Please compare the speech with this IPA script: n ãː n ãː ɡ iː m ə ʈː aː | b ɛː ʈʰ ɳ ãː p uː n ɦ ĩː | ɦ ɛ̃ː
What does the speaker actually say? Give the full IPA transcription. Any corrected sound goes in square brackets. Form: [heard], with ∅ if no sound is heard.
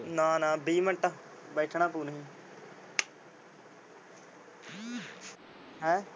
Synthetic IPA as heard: n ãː n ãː [b] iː m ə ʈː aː | b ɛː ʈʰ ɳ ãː p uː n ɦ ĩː | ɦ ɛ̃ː